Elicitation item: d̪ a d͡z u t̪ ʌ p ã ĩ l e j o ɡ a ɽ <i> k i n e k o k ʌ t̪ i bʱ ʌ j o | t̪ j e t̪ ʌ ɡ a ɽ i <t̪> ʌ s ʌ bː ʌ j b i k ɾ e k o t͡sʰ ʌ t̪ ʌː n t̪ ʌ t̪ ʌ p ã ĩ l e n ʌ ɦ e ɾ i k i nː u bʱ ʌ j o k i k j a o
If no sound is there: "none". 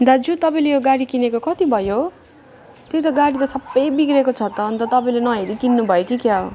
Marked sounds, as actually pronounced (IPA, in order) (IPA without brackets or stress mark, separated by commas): i, t̪